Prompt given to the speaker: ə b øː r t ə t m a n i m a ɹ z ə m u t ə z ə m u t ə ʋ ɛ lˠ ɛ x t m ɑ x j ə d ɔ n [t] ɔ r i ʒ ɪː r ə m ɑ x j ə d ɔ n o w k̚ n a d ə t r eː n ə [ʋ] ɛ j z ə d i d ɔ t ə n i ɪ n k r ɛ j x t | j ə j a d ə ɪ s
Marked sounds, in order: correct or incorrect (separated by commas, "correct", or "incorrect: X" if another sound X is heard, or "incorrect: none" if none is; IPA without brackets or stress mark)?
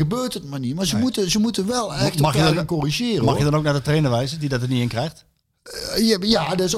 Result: incorrect: k, correct